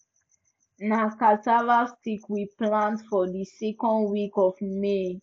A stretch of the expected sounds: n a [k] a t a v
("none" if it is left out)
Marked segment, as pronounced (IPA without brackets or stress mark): k